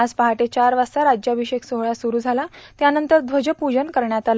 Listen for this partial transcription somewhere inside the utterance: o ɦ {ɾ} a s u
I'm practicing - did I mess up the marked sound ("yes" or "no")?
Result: yes